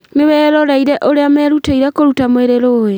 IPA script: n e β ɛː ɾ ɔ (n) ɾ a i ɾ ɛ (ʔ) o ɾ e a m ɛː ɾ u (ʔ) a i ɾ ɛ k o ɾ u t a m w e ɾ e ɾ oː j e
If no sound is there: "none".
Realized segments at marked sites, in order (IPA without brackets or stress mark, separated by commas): none, ʔ, t